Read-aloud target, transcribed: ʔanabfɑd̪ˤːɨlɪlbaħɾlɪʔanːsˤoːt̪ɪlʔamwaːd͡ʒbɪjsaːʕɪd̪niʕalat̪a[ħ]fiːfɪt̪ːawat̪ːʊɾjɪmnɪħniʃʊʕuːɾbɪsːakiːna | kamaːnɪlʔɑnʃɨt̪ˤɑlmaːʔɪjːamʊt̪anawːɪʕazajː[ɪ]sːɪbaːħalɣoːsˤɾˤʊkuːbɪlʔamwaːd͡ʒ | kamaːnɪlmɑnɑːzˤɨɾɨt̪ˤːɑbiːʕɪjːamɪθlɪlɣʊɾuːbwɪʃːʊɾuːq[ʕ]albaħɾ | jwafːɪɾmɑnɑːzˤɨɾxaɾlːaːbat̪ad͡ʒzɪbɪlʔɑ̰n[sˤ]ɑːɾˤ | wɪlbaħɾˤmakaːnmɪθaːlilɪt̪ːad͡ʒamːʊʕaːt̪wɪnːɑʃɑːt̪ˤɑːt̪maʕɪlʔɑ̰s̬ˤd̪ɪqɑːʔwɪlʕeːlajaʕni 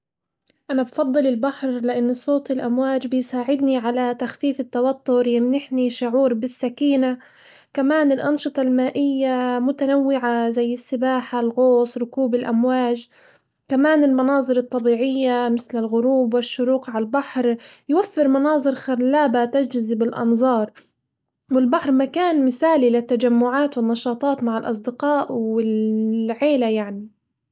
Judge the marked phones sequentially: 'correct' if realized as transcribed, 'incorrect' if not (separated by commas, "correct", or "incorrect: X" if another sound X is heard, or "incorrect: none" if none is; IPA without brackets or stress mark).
incorrect: x, correct, correct, incorrect: zˤ